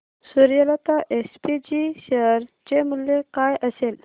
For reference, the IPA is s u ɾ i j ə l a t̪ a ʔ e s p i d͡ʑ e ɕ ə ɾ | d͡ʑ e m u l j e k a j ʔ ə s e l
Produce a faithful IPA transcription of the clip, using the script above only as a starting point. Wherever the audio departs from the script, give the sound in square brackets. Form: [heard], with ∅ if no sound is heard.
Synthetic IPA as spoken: s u ɾ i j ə l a t̪ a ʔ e s p i d͡ʑ [i] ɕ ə ɾ | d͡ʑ e m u l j e k a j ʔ ə s e l